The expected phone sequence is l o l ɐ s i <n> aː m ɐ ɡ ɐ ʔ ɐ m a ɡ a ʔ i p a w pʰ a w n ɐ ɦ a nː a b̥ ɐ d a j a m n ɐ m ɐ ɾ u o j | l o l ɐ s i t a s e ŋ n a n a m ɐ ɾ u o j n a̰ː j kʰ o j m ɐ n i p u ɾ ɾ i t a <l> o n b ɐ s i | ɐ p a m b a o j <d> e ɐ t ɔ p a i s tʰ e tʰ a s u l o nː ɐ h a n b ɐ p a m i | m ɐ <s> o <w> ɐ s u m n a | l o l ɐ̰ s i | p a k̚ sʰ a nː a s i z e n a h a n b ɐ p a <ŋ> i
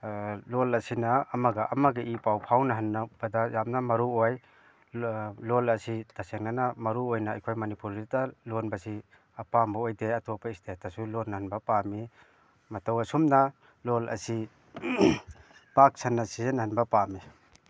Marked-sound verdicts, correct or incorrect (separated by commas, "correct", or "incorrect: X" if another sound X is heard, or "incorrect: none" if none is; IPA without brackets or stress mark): correct, correct, correct, incorrect: t, correct, incorrect: m